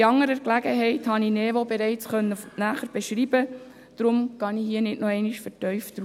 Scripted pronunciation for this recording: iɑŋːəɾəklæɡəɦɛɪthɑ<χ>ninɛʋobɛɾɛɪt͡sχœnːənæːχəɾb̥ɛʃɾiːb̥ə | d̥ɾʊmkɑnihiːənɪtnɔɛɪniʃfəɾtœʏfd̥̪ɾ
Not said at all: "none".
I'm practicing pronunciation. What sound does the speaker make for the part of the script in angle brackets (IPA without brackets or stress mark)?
none